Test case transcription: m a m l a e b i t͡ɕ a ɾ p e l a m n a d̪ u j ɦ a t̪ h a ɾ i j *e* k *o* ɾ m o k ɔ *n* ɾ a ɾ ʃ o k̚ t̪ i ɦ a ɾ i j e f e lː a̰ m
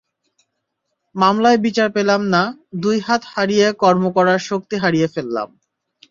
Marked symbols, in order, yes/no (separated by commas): yes, no, no